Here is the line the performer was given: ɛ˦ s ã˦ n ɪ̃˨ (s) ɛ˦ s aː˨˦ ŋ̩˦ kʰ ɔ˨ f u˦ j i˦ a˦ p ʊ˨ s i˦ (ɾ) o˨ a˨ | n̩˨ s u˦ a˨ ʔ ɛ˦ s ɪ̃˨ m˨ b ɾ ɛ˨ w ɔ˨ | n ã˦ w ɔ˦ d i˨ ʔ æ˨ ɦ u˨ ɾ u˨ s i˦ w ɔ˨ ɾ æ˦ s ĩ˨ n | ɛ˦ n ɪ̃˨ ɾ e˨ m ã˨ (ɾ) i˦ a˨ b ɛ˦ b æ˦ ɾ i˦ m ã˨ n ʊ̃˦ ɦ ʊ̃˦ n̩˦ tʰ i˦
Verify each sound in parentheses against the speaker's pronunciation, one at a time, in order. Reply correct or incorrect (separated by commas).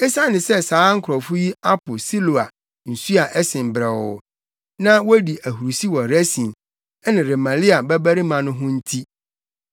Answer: correct, incorrect, incorrect